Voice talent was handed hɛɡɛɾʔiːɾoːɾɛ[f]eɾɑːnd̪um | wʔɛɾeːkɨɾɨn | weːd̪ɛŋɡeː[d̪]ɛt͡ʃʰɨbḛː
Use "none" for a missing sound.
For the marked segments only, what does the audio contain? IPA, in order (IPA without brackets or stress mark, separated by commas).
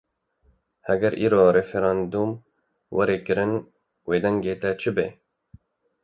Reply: f, t̪